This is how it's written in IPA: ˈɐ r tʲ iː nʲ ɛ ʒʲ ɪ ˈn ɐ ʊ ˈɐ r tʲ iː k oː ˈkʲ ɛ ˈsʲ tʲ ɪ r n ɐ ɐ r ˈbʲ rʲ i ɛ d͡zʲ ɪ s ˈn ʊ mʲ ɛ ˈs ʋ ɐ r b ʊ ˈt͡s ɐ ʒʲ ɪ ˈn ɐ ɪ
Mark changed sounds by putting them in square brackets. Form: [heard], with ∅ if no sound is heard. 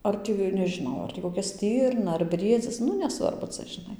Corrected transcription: ˈɐ r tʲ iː nʲ ɛ ʒʲ ɪ ˈn ɐ ʊ ˈɐ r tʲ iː k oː ˈkʲ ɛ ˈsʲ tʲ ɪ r n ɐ ɐ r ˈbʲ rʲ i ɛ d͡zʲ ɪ s ˈn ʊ [nʲ] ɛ ˈs ʋ ɐ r b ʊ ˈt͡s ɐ ʒʲ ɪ ˈn ɐ ɪ

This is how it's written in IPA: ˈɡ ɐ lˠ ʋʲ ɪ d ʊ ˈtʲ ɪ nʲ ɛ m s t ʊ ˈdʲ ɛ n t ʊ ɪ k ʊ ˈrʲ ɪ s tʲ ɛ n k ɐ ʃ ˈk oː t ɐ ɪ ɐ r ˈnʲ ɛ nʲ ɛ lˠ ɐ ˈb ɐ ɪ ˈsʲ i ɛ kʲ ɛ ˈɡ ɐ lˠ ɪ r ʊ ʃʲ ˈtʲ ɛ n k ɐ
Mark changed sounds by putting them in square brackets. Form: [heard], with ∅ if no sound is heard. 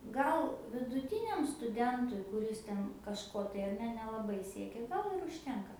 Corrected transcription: ˈɡ ɐ lˠ ʋʲ ɪ d ʊ ˈtʲ ɪ nʲ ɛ m s t ʊ ˈdʲ ɛ n t ʊ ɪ k ʊ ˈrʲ ɪ s tʲ ɛ n k ɐ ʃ ˈk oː t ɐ ɪ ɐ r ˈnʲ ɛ nʲ ɛ lˠ ɐ ˈb ɐ ɪ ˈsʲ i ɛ kʲ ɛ ˈɡ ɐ lˠ ɪ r ʊ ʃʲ ˈtʲ ɛ [ŋ] k ɐ

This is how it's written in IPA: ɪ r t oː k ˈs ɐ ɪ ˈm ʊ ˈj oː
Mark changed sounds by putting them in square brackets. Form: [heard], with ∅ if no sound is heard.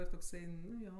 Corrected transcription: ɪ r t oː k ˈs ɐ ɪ [ˈn] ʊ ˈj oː

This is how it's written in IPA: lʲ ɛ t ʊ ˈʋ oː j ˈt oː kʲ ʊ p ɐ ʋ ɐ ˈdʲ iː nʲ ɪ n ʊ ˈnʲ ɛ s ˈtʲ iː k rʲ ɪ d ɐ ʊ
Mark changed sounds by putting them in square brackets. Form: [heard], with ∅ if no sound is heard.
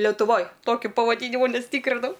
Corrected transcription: lʲ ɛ t ʊ ˈʋ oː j ˈt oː kʲ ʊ p ɐ ʋ ɐ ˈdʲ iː nʲ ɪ [m] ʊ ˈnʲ ɛ s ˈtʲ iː k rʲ ɪ [n] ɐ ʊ

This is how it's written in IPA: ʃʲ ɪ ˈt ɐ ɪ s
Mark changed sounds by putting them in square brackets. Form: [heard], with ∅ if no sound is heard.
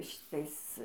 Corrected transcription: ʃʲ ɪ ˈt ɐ ɪ s

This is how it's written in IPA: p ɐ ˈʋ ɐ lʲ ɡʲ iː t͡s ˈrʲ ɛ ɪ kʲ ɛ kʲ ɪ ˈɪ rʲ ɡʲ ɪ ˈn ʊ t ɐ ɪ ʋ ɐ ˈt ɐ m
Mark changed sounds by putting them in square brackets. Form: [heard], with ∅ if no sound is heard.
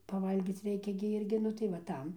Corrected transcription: p ɐ ˈʋ ɐ lʲ ɡʲ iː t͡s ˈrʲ ɛ ɪ kʲ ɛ [ɡʲ] ɪ ˈɪ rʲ ɡʲ ɪ ˈn ʊ t ɐ ɪ ʋ ɐ ˈt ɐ m

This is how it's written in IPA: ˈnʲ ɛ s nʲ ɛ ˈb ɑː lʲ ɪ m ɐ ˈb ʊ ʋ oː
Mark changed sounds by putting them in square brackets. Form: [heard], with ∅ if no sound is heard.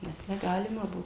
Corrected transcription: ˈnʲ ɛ s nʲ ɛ [ˈɡ] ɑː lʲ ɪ m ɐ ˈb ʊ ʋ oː

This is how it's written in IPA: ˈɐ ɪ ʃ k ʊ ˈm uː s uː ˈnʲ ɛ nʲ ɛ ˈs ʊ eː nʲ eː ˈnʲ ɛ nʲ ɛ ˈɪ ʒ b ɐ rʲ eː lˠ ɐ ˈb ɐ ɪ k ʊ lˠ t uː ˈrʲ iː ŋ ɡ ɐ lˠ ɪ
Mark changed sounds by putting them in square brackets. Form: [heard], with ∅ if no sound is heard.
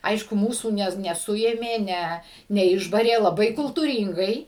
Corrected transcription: ˈɐ ɪ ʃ k ʊ ˈm uː s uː ˈnʲ ɛ nʲ ɛ ˈs ʊ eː [mʲ] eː ˈnʲ ɛ nʲ ɛ ˈɪ ʒ b ɐ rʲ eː lˠ ɐ ˈb ɐ ɪ k ʊ lˠ t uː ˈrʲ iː ŋ ɡ ɐ [∅] ɪ

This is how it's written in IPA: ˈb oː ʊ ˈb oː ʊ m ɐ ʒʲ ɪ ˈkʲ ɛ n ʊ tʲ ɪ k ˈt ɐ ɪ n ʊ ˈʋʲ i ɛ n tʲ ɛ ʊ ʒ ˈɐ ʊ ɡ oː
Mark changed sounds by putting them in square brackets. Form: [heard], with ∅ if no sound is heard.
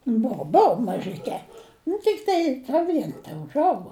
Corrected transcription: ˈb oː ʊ ˈb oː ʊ m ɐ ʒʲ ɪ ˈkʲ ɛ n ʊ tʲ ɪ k ˈt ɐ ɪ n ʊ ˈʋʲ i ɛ n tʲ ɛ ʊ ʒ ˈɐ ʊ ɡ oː

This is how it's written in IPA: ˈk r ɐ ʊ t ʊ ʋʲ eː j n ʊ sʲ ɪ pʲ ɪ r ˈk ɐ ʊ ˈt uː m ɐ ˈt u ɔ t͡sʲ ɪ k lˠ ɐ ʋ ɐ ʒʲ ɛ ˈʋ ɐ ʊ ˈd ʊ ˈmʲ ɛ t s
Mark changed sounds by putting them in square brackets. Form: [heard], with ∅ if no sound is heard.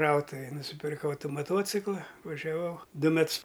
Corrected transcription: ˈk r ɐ ʊ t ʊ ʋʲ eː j n ʊ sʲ ɪ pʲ ɪ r ˈk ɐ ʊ ˈt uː m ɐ ˈt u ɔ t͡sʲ ɪ k lˠ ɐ ʋ ɐ ʒʲ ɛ ˈʋ ɐ ʊ ˈd ʊ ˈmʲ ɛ t s

